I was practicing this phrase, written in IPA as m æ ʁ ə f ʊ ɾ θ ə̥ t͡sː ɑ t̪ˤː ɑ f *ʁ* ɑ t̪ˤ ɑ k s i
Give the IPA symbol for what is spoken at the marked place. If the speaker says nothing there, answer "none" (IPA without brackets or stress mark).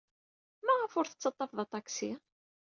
ð